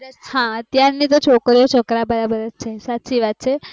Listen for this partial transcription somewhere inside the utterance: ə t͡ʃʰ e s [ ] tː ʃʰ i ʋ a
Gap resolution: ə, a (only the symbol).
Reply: a